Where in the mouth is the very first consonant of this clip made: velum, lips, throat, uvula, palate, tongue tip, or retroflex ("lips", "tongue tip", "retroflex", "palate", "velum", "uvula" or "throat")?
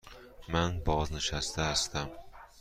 lips